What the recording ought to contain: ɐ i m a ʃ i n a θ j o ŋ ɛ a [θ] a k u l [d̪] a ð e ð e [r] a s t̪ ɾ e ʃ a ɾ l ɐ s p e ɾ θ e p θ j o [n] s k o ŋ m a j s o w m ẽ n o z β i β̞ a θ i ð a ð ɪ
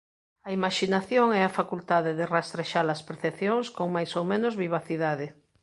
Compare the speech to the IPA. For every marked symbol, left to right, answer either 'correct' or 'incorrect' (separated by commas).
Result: incorrect, incorrect, correct, incorrect